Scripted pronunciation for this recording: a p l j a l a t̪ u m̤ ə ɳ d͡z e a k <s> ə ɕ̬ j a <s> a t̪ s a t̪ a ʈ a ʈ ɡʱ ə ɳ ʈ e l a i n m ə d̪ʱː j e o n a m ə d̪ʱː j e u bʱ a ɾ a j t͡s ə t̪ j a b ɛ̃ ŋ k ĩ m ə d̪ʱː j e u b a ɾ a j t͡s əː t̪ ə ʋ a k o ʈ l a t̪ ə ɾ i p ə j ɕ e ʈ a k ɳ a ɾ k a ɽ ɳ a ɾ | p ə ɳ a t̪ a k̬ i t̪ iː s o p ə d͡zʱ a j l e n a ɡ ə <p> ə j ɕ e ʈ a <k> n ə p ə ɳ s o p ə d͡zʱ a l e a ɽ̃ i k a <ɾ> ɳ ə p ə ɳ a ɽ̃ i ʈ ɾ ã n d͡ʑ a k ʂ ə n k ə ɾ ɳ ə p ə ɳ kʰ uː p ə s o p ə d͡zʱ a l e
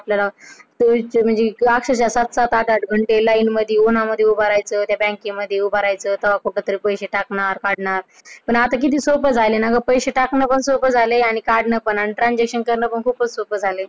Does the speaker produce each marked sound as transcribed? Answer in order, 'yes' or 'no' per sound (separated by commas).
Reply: no, yes, yes, yes, no